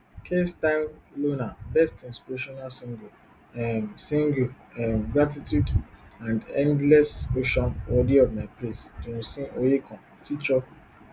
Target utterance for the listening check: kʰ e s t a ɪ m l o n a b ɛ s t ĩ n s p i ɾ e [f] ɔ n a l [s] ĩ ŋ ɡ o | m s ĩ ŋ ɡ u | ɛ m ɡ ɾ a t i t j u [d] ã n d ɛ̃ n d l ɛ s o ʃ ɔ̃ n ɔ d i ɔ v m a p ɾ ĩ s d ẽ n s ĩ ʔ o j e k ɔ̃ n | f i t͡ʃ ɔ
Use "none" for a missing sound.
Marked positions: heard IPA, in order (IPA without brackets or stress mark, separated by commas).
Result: ʃ, s, d